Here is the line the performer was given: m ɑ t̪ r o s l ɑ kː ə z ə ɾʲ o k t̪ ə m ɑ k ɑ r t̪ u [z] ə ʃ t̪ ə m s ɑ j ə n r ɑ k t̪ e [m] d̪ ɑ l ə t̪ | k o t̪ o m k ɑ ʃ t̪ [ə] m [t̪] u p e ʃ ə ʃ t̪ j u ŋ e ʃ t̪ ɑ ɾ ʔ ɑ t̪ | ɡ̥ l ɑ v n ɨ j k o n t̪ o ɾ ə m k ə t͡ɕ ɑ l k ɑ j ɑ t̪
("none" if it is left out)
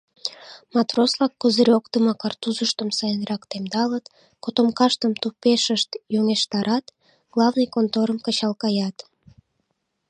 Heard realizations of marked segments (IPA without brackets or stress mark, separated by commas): z, m, ə, t̪